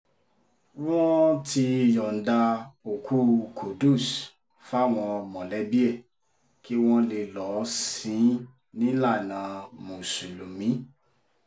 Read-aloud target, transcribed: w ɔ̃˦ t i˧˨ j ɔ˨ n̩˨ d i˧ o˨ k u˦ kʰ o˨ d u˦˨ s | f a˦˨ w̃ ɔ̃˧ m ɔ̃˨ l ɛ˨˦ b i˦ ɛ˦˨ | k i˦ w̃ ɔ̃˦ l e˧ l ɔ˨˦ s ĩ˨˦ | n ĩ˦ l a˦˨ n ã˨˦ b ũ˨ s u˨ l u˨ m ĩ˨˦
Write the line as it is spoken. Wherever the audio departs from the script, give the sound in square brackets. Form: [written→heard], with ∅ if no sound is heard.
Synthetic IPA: w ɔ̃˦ t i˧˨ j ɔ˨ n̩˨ d [i˧→a˧] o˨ k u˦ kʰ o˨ d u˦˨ s | f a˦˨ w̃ ɔ̃˧ m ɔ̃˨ l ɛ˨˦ b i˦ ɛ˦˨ | k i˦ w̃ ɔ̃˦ l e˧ l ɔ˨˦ s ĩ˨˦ | n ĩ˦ l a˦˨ n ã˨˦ [b→m] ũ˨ s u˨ l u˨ m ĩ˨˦